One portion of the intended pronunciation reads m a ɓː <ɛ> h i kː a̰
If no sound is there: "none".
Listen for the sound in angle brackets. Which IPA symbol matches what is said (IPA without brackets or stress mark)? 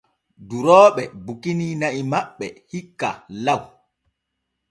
ɛ